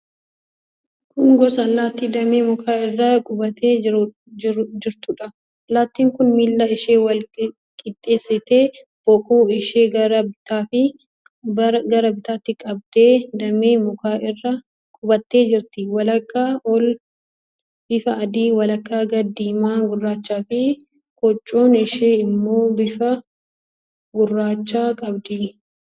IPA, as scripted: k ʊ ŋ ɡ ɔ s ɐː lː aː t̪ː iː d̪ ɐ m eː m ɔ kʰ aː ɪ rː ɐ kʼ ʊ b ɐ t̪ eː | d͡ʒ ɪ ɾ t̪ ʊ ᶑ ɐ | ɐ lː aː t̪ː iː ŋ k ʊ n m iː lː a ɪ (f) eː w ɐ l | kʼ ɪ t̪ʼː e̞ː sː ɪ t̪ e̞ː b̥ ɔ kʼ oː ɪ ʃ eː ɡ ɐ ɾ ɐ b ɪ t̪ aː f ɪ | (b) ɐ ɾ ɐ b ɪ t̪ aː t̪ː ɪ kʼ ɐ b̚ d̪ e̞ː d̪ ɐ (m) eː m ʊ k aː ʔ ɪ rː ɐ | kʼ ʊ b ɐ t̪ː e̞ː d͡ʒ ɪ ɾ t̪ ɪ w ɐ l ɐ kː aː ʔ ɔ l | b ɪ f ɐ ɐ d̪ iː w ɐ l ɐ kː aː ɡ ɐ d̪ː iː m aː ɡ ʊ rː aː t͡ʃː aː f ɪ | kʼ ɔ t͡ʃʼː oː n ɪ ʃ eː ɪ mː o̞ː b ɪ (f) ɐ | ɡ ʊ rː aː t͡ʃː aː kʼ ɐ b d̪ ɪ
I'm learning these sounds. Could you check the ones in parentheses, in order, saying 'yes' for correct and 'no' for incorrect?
no, no, yes, yes

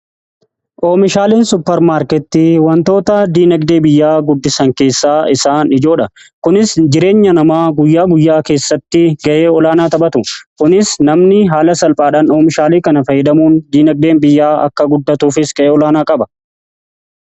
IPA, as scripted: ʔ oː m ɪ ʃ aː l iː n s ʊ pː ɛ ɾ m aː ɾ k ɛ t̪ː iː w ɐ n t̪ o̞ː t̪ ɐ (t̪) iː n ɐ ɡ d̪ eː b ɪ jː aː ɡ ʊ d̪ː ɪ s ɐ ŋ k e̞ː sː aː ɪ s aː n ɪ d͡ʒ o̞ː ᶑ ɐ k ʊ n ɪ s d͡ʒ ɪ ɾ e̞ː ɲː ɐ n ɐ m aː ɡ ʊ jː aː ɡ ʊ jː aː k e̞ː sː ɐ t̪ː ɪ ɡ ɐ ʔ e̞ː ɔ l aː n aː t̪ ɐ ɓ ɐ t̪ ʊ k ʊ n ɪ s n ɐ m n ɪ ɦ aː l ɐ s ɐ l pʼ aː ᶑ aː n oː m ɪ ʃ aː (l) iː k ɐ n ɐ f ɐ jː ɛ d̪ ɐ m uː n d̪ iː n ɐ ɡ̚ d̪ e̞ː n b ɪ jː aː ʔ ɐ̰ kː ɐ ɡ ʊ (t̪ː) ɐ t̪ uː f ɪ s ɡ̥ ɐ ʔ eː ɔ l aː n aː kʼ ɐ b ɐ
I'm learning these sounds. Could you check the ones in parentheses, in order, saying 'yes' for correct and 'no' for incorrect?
no, yes, no

